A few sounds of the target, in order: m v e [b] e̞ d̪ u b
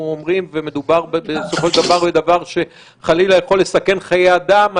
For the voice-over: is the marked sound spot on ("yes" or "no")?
no